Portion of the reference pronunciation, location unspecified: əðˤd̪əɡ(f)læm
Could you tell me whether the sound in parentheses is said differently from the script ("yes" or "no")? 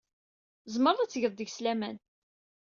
yes